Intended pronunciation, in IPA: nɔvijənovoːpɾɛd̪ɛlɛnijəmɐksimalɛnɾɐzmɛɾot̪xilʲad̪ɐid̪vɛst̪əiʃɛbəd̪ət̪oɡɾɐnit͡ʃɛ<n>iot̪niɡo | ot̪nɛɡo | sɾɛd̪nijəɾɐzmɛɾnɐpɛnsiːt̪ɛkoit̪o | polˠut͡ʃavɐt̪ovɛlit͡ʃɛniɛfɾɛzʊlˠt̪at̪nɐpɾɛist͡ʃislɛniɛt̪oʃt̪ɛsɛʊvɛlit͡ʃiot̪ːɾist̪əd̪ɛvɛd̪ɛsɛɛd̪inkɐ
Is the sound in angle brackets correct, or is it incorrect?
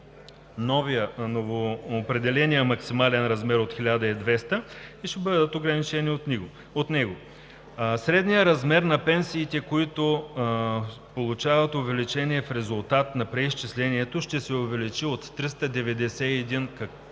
correct